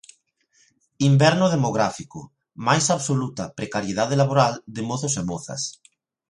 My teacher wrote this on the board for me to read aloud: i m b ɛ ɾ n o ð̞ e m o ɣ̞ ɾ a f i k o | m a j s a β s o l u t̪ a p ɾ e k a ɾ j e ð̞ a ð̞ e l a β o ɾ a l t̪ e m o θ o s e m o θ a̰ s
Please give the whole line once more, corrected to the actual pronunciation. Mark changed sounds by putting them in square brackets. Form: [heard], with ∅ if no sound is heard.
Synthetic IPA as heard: i m b ɛ ɾ n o ð̞ e m o ɣ̞ ɾ a f i k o | m a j s a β s o l u t̪ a p ɾ e k a ɾ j e ð̞ a ð̞ e l a β o ɾ a l [d̪] e m o θ o s e m o θ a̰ s